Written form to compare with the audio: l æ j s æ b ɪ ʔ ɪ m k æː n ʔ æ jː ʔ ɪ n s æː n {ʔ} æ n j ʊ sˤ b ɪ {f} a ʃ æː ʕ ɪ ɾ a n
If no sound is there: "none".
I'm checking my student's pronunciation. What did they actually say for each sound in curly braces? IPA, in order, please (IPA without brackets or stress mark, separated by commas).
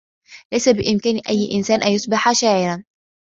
ʔ, ħ